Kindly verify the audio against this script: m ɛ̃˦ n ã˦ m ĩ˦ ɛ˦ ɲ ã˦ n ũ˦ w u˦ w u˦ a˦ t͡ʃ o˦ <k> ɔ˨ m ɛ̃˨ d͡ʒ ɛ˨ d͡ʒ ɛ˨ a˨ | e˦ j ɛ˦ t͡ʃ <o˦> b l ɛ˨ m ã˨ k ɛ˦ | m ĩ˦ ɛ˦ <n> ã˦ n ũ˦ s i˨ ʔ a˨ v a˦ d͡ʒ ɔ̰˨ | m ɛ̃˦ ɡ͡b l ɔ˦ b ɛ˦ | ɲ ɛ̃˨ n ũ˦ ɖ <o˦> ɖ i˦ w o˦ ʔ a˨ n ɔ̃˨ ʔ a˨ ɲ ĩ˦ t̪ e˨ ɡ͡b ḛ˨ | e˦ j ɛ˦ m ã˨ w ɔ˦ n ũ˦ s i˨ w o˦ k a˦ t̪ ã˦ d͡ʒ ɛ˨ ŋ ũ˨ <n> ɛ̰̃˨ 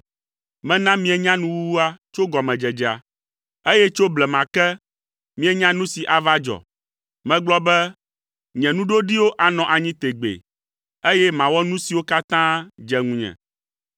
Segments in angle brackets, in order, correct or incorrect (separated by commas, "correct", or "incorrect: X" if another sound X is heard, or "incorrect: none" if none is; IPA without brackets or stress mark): incorrect: ɡ, correct, incorrect: ɲ, correct, incorrect: ɲ